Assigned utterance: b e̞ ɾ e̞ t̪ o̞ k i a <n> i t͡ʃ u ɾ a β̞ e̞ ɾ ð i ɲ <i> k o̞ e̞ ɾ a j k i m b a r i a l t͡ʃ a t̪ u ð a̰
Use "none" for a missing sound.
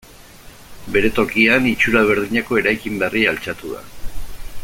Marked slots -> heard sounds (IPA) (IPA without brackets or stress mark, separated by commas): n, a